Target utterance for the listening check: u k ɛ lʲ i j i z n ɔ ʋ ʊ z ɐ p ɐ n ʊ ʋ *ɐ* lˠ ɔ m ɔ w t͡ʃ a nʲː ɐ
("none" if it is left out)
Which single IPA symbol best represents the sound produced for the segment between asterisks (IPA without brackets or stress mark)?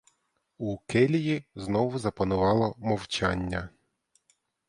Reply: ɑ